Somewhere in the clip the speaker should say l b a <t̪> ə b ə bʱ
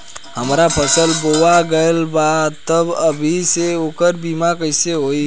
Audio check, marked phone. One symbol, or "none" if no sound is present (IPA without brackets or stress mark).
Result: t̪